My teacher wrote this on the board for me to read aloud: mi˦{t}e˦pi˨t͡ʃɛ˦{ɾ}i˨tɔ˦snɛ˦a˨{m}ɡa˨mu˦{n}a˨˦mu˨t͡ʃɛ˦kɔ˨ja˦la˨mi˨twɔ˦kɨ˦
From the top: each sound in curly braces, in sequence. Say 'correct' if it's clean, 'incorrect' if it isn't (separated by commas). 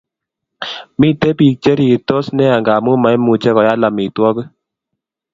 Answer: correct, correct, incorrect, incorrect